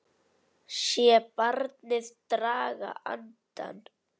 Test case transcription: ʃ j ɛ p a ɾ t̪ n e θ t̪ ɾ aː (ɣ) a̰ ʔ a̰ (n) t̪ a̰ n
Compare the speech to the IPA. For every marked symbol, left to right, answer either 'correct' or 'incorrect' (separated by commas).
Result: correct, correct